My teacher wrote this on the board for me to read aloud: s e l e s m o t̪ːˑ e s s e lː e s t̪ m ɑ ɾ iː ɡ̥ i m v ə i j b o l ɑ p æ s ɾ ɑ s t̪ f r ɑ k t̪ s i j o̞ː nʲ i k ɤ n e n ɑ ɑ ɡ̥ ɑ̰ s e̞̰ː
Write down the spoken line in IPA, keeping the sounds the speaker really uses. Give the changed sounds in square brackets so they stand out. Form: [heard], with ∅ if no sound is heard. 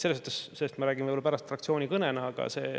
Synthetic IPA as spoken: s e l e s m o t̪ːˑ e s s e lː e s t̪ m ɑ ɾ [æː] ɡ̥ i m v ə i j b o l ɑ p æ [∅] ɾ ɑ s t̪ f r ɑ k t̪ s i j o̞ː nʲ i k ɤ n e n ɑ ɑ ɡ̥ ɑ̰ s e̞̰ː